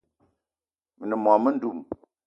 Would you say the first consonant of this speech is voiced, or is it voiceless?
voiced